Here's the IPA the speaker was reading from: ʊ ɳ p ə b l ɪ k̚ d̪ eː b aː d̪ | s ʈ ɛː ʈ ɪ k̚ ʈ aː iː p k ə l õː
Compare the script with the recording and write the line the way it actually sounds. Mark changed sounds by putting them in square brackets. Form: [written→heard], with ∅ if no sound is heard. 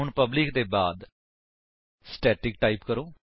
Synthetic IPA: ʊ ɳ p ə b l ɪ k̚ d̪ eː b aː d̪ | s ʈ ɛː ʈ ɪ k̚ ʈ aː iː p k ə [l→ɾ] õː